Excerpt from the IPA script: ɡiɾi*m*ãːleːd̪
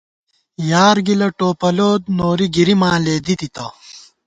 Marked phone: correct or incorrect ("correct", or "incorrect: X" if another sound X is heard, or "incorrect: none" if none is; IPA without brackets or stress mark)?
correct